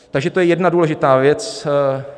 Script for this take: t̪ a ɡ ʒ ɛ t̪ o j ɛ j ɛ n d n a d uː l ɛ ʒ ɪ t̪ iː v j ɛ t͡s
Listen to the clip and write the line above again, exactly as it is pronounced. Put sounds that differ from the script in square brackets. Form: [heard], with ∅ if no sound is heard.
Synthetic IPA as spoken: t̪ a ɡ ʒ ɛ t̪ o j ɛ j ɛ [∅] d n a d uː l ɛ ʒ ɪ t̪ [aː] v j ɛ t͡s